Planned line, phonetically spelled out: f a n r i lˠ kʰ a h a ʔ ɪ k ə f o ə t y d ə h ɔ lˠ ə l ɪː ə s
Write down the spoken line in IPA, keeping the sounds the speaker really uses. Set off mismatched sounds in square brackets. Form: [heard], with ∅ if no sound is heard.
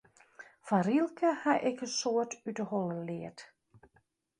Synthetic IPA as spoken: f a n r i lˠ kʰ [ə] h a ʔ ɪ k ə [s] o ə t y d ə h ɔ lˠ ə l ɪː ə [t]